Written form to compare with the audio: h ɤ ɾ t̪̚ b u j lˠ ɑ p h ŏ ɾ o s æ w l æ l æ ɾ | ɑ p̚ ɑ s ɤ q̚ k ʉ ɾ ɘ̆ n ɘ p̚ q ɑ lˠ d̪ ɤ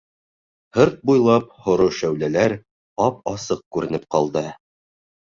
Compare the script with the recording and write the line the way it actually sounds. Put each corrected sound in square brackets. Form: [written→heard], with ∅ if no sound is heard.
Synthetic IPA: h ɤ ɾ t̪̚ b u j lˠ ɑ p h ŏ ɾ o [s→ʃ] æ w l æ l æ ɾ | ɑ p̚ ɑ s ɤ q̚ k ʉ ɾ ɘ̆ n ɘ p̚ q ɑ lˠ d̪ ɤ

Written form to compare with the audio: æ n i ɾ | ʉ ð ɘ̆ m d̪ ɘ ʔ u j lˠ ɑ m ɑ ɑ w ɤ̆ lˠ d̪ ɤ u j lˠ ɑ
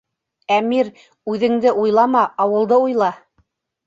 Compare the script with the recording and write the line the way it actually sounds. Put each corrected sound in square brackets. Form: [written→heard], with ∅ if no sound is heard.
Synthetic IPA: æ [n→m] i ɾ | ʉ ð ɘ̆ [m→ŋ] d̪ ɘ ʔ u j lˠ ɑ m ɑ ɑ w ɤ̆ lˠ d̪ ɤ u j lˠ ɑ

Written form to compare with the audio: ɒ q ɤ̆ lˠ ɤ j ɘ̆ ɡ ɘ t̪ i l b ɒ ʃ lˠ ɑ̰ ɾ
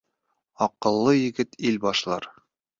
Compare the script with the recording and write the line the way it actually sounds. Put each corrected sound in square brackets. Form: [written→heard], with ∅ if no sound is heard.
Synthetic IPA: ɒ q ɤ̆ [lˠ→lˠː] ɤ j ɘ̆ ɡ ɘ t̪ i l b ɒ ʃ lˠ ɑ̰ ɾ

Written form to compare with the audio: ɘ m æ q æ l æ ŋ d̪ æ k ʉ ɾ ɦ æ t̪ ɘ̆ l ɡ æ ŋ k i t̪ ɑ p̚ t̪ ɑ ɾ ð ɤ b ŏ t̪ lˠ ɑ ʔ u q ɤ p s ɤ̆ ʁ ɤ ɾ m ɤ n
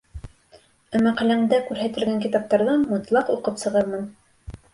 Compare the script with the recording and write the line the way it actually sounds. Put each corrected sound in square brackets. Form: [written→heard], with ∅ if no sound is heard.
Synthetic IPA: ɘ m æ q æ l æ ŋ d̪ æ k ʉ ɾ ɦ æ t̪ ɘ̆ l ɡ æ ŋ k i t̪ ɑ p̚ t̪ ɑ ɾ ð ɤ [b→m] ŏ t̪ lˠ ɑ [ʔ→q] u q ɤ p s ɤ̆ ʁ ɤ ɾ m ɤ n

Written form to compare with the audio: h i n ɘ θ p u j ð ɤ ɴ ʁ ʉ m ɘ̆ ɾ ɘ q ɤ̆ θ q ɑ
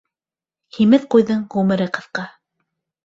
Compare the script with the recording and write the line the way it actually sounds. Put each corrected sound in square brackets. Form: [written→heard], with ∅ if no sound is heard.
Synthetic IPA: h i [n→m] ɘ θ [p→q] u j ð ɤ ɴ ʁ ʉ m ɘ̆ ɾ ɘ q ɤ̆ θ q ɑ

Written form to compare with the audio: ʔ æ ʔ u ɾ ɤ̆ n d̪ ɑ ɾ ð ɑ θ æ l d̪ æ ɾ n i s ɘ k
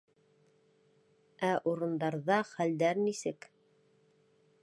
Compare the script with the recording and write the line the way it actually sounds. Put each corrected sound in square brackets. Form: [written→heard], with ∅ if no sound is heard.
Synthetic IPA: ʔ æ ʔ u ɾ ɤ̆ n d̪ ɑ ɾ ð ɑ [θ→χ] æ l d̪ æ ɾ n i s ɘ k

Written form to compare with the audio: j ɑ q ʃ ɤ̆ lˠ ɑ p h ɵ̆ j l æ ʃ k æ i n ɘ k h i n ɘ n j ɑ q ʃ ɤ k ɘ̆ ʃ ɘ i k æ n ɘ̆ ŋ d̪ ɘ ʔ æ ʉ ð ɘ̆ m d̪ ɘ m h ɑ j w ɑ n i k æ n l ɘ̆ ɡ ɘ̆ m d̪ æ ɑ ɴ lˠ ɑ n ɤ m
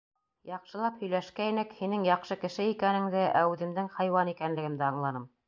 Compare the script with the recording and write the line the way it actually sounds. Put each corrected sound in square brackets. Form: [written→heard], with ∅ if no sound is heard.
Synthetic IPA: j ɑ q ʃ ɤ̆ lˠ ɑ p h ɵ̆ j l æ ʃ k æ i n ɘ k h i n ɘ [n→ŋ] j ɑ q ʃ ɤ k ɘ̆ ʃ ɘ i k æ n ɘ̆ ŋ d̪ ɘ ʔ æ ʉ ð ɘ̆ m d̪ ɘ [m→ŋ] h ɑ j w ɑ n i k æ n l ɘ̆ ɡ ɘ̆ m d̪ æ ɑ ɴ lˠ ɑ n ɤ m

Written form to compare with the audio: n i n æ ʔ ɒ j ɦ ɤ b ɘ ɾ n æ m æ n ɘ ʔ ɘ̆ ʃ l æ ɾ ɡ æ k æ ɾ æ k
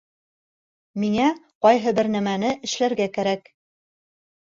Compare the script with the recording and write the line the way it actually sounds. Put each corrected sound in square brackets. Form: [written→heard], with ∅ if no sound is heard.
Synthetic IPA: [n→m] i [n→ŋ] æ [ʔ→q] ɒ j ɦ ɤ b ɘ ɾ n æ m æ n ɘ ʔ ɘ̆ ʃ l æ ɾ ɡ æ k æ ɾ æ k

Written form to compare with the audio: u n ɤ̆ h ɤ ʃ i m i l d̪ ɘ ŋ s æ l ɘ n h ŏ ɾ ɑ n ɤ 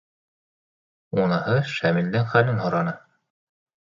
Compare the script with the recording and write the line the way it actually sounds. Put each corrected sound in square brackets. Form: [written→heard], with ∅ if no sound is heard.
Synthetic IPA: u n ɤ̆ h ɤ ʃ [i→æ] m i l d̪ ɘ ŋ [s→χ] æ l ɘ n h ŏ ɾ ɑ n ɤ

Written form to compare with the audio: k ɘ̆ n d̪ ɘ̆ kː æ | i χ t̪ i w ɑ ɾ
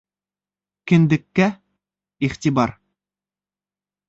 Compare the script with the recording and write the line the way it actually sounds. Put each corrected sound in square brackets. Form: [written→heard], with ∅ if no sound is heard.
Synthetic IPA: k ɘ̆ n d̪ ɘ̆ kː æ | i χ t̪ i [w→b] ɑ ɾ

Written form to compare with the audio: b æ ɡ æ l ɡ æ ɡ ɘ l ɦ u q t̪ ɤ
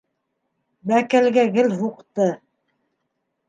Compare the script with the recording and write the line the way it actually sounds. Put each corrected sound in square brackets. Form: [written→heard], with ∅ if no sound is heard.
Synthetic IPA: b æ [ɡ→k] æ l ɡ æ ɡ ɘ l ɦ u q t̪ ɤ

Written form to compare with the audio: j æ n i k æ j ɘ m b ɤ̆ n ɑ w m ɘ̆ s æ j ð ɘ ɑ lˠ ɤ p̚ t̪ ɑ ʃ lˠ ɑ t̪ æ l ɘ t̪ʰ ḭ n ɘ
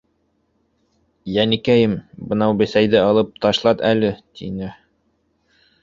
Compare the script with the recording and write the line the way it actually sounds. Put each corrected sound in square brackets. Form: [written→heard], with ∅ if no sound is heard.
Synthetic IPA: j æ n i k æ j ɘ m b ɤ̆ n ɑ w [m→b] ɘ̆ s æ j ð ɘ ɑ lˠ ɤ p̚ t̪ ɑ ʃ lˠ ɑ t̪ æ l ɘ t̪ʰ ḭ n ɘ

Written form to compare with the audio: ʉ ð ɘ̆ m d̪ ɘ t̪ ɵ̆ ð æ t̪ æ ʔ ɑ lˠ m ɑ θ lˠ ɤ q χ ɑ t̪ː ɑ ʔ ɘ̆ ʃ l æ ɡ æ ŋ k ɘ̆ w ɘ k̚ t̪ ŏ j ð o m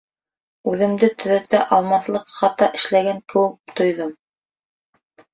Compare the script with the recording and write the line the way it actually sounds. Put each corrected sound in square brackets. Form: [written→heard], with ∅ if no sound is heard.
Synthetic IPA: ʉ ð ɘ̆ m d̪ ɘ t̪ ɵ̆ ð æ t̪ æ ʔ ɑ lˠ m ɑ θ lˠ ɤ q χ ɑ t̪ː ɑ ʔ ɘ̆ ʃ l æ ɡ æ ŋ k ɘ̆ w ɘ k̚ t̪ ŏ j ð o m

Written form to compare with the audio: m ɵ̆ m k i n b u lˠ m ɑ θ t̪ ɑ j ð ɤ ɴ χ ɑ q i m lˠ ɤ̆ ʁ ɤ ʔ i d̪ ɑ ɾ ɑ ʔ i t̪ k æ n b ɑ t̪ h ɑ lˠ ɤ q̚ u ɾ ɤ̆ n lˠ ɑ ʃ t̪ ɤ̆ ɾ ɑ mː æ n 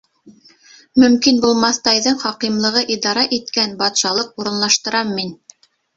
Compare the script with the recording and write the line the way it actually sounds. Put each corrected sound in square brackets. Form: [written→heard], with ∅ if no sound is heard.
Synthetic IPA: m ɵ̆ m k i n b u lˠ m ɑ θ t̪ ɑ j ð ɤ ɴ χ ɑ q i m lˠ ɤ̆ ʁ ɤ ʔ i d̪ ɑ ɾ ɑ ʔ i t̪ k æ n b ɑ t̪ [h→ʃ] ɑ lˠ ɤ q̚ u ɾ ɤ̆ n lˠ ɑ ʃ t̪ ɤ̆ ɾ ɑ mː [æ→i] n

